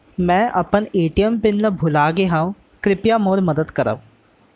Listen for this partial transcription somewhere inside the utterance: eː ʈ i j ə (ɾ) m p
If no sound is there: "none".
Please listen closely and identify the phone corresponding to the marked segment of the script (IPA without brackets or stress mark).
none